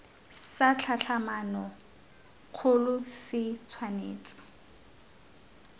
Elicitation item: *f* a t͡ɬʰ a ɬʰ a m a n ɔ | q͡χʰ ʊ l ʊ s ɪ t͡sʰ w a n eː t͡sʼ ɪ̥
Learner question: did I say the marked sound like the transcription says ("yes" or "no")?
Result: no